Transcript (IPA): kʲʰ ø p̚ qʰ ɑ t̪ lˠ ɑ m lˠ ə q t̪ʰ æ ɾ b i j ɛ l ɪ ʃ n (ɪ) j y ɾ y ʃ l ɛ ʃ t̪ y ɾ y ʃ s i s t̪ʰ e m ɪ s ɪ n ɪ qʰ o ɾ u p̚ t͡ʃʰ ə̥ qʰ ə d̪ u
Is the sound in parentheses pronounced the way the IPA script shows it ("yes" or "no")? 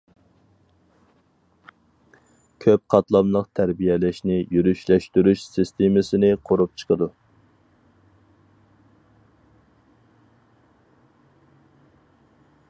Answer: yes